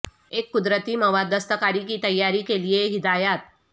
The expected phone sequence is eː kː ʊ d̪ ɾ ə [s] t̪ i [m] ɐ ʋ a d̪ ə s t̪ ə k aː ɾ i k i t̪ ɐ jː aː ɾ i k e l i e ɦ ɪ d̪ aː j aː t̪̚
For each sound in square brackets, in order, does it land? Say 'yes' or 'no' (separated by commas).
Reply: no, yes